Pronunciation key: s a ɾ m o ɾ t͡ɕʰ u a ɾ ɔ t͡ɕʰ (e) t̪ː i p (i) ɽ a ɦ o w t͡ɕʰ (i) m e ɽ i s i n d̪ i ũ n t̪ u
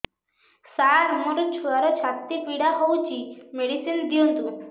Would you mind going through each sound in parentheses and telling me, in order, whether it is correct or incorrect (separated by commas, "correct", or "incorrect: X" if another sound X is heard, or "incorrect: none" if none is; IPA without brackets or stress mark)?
incorrect: a, correct, correct